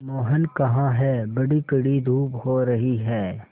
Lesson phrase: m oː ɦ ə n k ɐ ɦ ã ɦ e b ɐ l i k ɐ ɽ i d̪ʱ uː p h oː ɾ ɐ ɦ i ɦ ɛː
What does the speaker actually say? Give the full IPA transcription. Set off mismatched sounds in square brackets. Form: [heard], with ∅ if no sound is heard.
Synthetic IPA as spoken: m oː ɦ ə n k ɐ ɦ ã ɦ [ɛ] b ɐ [ɽ] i k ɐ ɽ i d̪ʱ uː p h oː ɾ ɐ ɦ i ɦ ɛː